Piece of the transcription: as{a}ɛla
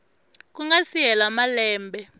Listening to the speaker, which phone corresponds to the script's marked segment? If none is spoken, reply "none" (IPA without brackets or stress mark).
i